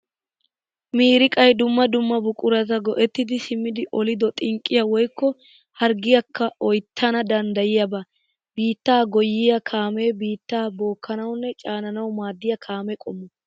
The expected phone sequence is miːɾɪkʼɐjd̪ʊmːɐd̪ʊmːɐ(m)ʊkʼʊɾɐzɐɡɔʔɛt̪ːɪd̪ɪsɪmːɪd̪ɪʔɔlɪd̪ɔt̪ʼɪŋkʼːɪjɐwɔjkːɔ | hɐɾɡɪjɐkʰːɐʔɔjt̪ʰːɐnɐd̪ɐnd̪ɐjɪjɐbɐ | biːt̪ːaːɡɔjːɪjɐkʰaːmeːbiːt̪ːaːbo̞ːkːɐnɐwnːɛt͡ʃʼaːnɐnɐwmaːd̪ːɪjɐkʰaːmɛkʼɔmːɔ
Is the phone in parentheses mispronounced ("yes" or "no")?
yes